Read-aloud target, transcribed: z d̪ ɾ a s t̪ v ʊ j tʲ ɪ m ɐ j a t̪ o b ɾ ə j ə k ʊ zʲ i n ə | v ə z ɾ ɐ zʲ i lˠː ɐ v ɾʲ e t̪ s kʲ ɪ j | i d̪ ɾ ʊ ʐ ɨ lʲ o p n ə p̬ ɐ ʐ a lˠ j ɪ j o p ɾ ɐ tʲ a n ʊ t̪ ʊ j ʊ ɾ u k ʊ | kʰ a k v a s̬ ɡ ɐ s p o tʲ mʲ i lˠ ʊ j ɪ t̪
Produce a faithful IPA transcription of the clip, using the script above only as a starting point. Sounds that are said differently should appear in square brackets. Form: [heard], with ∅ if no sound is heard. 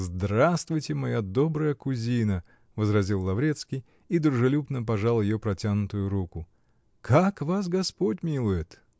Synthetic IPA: z d̪ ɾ a s t̪ v ʊ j tʲ ɪ m ɐ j a [d̪] o b ɾ ə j ə k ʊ zʲ i n ə | v ə z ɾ ɐ zʲ i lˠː ɐ v ɾʲ e t̪ s kʲ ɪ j | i d̪ ɾ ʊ ʐ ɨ lʲ [u] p n ə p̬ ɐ ʐ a lˠ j ɪ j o p ɾ ɐ tʲ a n ʊ t̪ ʊ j ʊ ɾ u k ʊ | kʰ a k v a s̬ ɡ ɐ s p o tʲ mʲ i lˠ ʊ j ɪ t̪

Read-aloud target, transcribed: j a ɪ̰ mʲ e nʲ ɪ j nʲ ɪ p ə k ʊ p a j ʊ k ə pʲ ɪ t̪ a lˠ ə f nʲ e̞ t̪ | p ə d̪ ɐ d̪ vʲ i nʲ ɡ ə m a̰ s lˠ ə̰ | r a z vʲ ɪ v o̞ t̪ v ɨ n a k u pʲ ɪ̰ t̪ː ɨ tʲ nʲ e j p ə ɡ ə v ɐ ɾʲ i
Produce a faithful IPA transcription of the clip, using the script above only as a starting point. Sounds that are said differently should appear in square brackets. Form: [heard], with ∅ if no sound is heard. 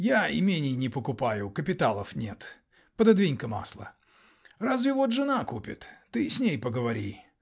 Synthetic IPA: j a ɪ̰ mʲ e nʲ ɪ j nʲ ɪ p ə k ʊ p a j ʊ k ə pʲ ɪ t̪ a lˠ ə f nʲ e̞ t̪ | p ə d̪ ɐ d̪ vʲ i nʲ [k] ə m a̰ s lˠ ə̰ | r a z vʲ ɪ v o̞ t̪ [ʐ] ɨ n a k u pʲ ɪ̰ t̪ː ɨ [sʲ] nʲ e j p ə ɡ ə v ɐ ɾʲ i

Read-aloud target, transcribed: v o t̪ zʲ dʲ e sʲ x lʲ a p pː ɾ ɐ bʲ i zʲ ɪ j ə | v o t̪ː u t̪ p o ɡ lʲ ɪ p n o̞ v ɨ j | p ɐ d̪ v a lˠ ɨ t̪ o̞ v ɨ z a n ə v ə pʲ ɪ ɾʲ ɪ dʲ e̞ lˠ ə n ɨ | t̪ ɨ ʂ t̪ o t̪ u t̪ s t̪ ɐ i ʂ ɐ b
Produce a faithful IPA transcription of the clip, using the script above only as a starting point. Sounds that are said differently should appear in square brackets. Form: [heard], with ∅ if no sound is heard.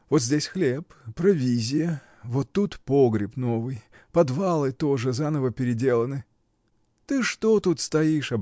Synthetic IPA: v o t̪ zʲ dʲ e sʲ x lʲ [e] p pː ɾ ɐ [vʲ] i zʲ ɪ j ə | v o t̪ː u t̪ p o ɡ [ɾʲ] ɪ p n o̞ v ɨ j | p ɐ d̪ v a lˠ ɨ t̪ o̞ [ʐ] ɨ z a n ə v ə pʲ ɪ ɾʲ ɪ dʲ e̞ lˠ ə n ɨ | t̪ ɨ ʂ t̪ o t̪ u t̪ s t̪ ɐ i ʂ ɐ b

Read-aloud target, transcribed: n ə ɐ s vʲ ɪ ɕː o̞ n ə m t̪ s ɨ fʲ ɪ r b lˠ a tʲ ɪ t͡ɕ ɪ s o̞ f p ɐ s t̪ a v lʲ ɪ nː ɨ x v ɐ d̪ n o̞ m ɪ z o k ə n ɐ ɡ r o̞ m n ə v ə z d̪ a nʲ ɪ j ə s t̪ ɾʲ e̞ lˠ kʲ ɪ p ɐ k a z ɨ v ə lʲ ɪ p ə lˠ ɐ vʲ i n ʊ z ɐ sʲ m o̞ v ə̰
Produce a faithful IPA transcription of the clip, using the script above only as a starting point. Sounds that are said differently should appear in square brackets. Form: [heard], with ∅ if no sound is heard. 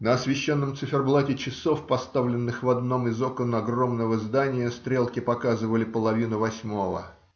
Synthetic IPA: n ə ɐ s vʲ ɪ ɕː o̞ [nː] ə m t̪ s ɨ fʲ ɪ r b lˠ a tʲ ɪ t͡ɕ ɪ s o̞ f p ɐ s t̪ a v lʲ ɪ nː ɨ x v ɐ d̪ n o̞ m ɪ z o k ə n ɐ ɡ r o̞ m n ə v ə z d̪ a nʲ ɪ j ə s t̪ ɾʲ e̞ lˠ kʲ ɪ p ɐ k a z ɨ v ə lʲ ɪ p ə lˠ ɐ vʲ i n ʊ [v] ɐ sʲ m o̞ v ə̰

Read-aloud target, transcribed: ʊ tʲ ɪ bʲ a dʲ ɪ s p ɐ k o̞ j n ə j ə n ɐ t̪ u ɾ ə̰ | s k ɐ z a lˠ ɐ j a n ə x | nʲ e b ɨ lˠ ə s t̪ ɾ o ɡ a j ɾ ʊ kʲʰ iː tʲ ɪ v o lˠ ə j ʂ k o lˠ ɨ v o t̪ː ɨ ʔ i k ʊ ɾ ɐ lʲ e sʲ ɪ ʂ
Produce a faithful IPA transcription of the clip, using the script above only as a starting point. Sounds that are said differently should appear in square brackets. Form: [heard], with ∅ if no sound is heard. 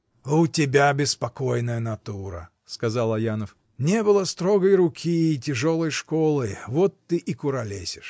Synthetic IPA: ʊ tʲ ɪ bʲ a [bʲ] ɪ s p ɐ k o̞ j n ə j ə n ɐ t̪ u ɾ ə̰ | s k ɐ z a lˠ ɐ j a n ə [f] | nʲ e b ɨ lˠ ə s t̪ ɾ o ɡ [ə] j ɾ ʊ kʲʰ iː tʲ ɪ [ʐ] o lˠ ə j ʂ k o lˠ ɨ v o t̪ː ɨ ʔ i k ʊ ɾ ɐ lʲ e sʲ ɪ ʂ

